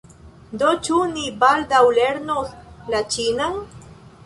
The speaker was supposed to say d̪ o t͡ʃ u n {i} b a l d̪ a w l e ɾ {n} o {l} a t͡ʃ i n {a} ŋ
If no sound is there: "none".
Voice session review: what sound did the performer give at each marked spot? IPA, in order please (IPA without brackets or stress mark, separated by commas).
i, n, l, a